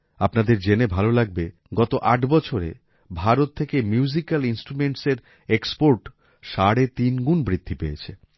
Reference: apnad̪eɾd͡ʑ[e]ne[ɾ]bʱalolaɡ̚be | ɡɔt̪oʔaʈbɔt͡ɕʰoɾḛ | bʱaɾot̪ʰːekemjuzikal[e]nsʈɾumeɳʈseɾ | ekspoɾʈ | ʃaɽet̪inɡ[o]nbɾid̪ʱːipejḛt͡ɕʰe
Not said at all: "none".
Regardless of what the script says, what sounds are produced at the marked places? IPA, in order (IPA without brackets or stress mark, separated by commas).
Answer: e, none, i, u